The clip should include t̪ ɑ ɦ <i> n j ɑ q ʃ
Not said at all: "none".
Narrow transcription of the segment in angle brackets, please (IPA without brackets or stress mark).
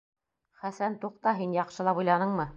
i